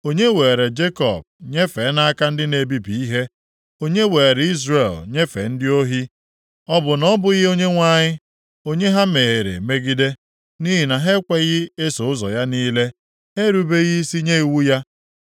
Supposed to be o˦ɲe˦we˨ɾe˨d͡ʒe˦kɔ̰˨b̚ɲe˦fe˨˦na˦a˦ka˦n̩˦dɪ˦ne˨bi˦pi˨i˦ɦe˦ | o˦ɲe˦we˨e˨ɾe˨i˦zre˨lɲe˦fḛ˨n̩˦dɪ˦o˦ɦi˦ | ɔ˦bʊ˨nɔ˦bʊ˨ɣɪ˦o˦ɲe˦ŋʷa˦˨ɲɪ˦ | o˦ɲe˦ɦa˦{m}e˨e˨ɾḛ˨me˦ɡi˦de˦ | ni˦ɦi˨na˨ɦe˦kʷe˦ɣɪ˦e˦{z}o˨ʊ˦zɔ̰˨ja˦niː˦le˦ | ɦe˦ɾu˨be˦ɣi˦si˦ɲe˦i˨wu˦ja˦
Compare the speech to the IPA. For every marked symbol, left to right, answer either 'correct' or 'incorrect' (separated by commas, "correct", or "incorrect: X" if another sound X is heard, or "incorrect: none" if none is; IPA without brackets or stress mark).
correct, incorrect: s